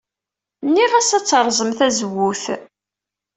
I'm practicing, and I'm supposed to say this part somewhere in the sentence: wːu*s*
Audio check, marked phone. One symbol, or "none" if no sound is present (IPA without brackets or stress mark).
θ